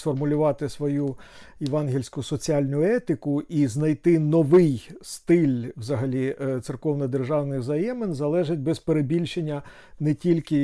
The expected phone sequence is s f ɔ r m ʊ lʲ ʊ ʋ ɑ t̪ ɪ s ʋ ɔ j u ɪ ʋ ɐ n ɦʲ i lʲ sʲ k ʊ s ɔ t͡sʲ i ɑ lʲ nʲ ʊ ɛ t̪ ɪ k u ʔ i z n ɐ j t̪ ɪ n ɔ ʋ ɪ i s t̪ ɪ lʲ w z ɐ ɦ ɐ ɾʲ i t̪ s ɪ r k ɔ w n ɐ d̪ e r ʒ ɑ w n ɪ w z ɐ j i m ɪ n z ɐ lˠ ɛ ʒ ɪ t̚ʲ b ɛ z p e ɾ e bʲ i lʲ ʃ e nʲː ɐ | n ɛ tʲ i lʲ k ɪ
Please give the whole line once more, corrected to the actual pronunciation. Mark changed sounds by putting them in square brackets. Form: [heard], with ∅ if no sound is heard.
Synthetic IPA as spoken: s f ɔ r m ʊ lʲ ʊ ʋ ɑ t̪ ɪ s ʋ ɔ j u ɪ ʋ [ɑ] n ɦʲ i lʲ sʲ k ʊ s ɔ t͡sʲ i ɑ lʲ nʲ ʊ ɛ t̪ ɪ k [ʊ] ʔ i z n ɐ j t̪ ɪ n ɔ ʋ ɪ [j] s t̪ ɪ lʲ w z ɐ ɦ ɐ [lʲ] i t̪ s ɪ r k ɔ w n ɐ d̪ e r ʒ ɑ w n ɪ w z ɐ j [ɛ] m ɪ n z ɐ lˠ ɛ ʒ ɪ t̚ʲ b ɛ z p e ɾ e bʲ i lʲ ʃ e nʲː ɐ | n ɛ tʲ i lʲ k ɪ